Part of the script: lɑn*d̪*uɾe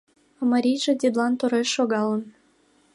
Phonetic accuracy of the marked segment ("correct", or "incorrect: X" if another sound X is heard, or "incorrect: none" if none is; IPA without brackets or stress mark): incorrect: t̪